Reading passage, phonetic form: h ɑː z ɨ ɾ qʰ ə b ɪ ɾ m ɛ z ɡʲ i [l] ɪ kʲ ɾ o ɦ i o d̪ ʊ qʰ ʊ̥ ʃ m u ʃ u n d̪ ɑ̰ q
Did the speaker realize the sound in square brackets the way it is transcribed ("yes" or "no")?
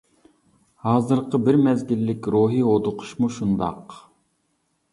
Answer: no